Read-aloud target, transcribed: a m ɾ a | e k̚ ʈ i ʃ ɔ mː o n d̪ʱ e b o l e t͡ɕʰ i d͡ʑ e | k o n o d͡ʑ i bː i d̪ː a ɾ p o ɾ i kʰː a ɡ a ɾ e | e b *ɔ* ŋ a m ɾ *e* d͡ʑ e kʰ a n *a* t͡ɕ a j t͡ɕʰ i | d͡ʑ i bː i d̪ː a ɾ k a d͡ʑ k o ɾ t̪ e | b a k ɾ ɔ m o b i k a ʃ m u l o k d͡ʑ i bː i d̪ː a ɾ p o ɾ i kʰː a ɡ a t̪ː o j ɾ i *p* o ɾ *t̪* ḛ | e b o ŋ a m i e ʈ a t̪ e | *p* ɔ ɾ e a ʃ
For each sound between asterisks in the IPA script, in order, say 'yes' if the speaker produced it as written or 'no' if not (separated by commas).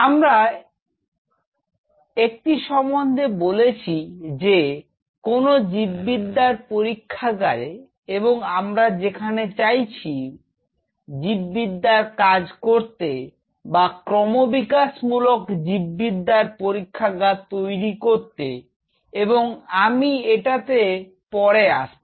no, no, no, no, yes, yes